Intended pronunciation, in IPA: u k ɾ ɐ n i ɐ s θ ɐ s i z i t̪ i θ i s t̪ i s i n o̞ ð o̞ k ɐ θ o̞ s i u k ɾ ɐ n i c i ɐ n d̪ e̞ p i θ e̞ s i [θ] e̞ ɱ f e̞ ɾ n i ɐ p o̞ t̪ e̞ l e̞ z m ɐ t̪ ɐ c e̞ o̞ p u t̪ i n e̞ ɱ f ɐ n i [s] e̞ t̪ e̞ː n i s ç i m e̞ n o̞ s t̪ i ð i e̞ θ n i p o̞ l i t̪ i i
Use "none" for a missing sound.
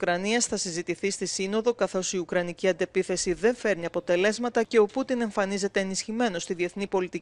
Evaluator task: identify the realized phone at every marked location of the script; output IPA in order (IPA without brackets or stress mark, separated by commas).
ð, z